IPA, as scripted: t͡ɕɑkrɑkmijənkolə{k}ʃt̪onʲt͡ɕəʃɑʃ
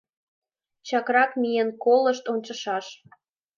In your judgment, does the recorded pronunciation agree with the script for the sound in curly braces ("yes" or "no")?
no